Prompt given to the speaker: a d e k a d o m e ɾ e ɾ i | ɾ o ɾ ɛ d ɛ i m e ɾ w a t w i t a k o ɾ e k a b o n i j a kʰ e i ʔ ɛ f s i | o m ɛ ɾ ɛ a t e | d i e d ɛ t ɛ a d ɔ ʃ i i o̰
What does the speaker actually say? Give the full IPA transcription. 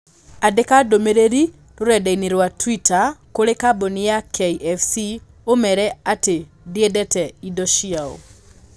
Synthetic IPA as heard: a d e k a d o m e ɾ e ɾ i | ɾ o ɾ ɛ d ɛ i n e ɾ w a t w i t a k o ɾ e k a b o n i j a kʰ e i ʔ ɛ f s i | o m ɛ ɾ ɛ a t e | d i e d ɛ t ɛ i d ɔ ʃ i a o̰